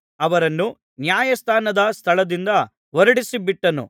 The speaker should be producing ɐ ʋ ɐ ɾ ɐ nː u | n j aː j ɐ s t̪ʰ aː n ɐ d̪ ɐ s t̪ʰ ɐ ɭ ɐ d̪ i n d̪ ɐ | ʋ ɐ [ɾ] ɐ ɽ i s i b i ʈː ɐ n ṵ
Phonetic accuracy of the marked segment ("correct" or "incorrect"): correct